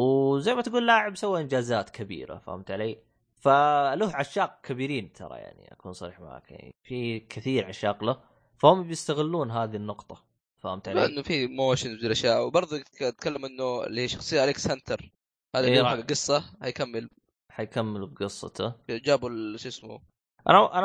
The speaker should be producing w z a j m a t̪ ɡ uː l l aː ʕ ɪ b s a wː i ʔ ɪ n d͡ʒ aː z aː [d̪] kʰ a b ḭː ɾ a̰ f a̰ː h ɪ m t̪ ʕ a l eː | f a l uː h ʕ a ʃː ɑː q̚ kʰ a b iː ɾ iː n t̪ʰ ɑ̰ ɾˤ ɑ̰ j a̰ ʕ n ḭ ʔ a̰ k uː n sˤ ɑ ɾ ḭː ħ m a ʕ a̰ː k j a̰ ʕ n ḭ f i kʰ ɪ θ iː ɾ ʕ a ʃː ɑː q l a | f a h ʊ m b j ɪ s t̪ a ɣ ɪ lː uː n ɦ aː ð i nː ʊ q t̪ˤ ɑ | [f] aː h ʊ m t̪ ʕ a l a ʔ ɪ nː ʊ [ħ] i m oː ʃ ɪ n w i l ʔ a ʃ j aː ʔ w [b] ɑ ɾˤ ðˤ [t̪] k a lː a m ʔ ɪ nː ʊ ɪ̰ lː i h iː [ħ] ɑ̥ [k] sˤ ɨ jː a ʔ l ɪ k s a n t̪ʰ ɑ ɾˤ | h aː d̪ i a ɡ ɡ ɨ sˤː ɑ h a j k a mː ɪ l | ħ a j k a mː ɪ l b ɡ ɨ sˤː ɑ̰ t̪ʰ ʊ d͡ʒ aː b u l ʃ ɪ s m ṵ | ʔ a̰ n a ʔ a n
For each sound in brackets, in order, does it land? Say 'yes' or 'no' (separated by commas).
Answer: no, yes, no, yes, yes, no, no